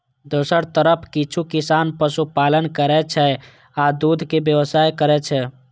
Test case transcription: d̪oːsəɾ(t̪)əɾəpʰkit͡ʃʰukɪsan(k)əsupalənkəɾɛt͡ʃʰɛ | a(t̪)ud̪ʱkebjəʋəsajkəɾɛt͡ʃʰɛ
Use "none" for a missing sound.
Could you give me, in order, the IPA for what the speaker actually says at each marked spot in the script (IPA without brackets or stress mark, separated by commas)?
t̪, p, d̪